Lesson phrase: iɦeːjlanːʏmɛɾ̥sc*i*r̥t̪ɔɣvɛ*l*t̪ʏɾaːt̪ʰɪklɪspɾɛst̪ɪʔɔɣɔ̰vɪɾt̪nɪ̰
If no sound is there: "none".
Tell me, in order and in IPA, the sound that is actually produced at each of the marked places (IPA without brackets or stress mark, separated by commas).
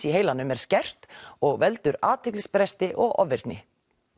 ɛ, l